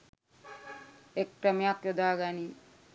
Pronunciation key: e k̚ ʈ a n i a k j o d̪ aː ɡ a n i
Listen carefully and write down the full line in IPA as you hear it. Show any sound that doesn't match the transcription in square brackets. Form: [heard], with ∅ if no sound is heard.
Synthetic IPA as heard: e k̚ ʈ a [m] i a k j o d̪ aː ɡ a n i